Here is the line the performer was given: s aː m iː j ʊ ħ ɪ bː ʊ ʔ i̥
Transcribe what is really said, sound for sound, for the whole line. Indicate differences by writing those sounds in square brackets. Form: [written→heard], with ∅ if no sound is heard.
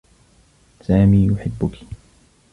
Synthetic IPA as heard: s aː m iː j ʊ ħ ɪ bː ʊ [ʔ→k] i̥